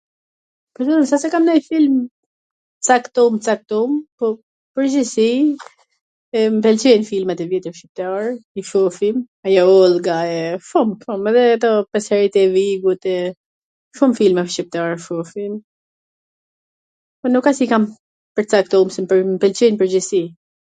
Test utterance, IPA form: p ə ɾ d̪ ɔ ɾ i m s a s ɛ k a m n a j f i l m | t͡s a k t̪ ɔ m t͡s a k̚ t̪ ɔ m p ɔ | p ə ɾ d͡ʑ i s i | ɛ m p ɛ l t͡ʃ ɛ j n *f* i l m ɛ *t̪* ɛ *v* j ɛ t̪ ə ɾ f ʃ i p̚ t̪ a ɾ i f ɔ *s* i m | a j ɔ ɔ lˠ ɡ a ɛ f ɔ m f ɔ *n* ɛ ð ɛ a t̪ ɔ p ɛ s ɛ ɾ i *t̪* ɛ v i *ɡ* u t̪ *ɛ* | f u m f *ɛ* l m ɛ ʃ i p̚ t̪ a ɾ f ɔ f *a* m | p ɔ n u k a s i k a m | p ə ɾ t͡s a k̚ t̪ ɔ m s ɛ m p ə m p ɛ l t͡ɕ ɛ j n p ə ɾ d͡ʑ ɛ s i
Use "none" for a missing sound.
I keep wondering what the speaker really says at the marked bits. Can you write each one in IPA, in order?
f, t̪, v, f, m, t̪, ɡ, ɛ, i, i

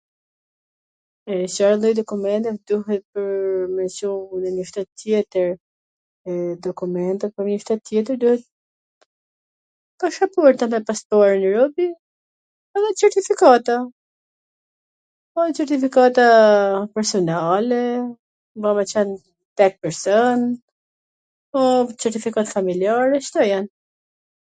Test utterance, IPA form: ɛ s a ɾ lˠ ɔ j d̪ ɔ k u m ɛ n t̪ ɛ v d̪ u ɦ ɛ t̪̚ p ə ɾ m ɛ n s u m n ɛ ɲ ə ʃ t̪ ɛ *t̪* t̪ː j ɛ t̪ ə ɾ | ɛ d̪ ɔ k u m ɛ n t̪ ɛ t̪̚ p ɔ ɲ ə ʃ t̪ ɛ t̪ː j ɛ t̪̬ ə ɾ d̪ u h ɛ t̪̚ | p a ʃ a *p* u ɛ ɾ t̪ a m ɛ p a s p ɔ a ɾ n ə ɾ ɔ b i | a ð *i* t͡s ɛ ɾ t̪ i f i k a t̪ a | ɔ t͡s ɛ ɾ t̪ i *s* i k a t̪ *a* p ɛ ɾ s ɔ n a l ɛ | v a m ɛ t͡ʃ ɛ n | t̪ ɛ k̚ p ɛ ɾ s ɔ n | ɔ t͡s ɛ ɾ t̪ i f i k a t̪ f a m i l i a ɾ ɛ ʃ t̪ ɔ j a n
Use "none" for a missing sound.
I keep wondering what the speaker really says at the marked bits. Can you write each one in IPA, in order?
t̪, p, ɛ, f, a

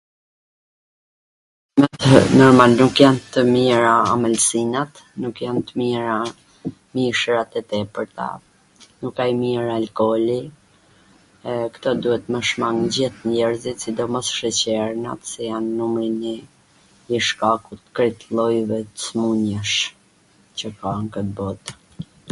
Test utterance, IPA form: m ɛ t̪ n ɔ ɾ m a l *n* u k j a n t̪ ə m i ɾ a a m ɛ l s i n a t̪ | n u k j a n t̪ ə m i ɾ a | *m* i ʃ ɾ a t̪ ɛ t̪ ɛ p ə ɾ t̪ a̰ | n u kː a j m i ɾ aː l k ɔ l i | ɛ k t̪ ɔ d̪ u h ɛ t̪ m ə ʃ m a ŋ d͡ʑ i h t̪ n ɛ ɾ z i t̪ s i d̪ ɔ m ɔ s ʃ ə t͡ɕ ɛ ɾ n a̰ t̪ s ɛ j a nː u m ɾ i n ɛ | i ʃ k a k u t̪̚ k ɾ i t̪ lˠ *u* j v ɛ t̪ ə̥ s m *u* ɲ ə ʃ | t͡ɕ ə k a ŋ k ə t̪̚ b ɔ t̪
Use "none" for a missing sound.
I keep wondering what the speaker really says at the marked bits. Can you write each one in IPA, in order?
n, m, ɔ, u

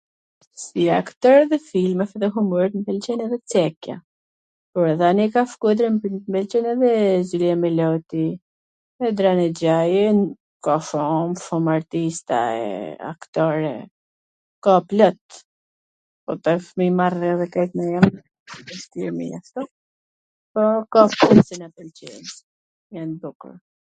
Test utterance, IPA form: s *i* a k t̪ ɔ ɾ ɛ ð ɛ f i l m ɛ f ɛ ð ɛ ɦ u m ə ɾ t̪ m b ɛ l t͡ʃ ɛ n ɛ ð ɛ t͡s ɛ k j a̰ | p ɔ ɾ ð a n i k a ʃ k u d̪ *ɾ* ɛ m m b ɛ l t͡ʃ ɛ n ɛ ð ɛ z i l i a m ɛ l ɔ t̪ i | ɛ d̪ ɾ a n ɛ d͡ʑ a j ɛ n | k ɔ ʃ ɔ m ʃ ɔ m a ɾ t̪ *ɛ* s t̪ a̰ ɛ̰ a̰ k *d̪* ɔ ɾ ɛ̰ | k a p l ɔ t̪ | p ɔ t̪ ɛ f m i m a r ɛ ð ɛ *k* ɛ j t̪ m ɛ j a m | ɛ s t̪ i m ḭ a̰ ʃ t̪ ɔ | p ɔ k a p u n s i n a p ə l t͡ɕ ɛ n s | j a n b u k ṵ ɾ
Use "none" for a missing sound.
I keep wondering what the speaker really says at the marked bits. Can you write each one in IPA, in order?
i, ɾ, i, t̪, k

